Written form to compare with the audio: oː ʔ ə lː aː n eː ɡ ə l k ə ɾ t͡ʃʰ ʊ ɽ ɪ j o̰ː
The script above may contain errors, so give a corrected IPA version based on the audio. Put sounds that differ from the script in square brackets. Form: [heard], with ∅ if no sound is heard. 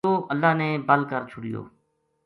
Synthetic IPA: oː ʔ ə lː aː n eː [b] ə l k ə ɾ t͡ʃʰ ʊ ɽ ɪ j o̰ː